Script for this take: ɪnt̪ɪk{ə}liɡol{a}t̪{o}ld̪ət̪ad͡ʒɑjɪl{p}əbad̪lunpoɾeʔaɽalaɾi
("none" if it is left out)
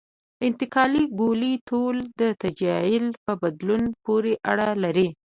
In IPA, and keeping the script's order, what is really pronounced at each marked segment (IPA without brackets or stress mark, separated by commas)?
ɑ, i, o, p